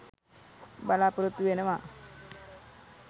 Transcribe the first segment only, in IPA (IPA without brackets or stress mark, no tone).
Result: b